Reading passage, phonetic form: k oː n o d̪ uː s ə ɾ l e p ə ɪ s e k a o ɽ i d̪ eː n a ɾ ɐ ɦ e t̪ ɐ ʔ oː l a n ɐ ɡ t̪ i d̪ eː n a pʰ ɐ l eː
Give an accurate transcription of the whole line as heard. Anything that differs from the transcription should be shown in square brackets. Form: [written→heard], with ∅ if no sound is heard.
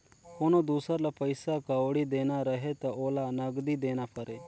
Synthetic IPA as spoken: k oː n o d̪ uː s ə ɾ l [e→a] p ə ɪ s [e→a] k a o ɽ i d̪ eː n a ɾ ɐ ɦ e t̪ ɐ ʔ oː l a n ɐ ɡ [t̪→d̪] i d̪ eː n a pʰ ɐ [l→ɾ] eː